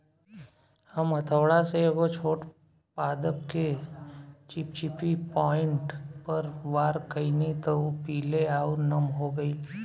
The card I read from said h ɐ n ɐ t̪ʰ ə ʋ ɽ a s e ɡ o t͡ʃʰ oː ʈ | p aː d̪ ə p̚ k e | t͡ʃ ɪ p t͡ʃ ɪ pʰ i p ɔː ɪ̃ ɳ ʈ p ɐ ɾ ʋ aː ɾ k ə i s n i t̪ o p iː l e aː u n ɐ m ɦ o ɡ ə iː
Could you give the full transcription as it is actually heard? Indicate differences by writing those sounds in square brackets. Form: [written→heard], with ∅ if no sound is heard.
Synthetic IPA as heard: h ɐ [n→m] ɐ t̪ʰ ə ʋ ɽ a s e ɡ o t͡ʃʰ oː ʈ | p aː d̪ ə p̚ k e | t͡ʃ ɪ p t͡ʃ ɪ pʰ i p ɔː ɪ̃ ɳ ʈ p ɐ ɾ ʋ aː ɾ k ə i [s→∅] n i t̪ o p iː l e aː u n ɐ m ɦ o ɡ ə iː